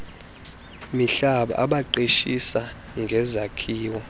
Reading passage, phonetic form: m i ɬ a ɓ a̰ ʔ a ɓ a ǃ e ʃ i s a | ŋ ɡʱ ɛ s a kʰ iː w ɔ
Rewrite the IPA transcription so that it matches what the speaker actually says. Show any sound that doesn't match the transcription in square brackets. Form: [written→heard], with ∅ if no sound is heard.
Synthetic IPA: m i ɬ a ɓ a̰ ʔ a ɓ a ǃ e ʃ i s a | ŋ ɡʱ ɛ [s→z] a kʰ iː w ɔ